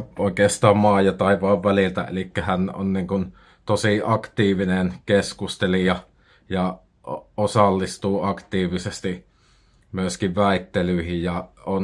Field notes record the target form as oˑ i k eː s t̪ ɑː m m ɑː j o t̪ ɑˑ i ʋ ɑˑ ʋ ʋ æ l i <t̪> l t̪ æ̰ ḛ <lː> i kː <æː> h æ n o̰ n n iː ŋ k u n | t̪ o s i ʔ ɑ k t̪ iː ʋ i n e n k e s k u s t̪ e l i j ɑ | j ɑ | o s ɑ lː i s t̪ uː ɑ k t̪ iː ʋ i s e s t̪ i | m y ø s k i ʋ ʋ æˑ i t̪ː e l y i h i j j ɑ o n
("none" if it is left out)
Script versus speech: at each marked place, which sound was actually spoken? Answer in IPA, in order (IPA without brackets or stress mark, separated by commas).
none, l, æ